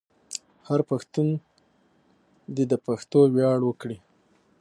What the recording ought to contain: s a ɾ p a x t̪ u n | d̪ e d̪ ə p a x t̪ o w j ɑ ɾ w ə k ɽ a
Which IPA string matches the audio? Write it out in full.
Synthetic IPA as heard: h a ɾ p a x t̪ u n | d̪ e d̪ ə p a x t̪ o w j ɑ ɽ w ə k ɽ i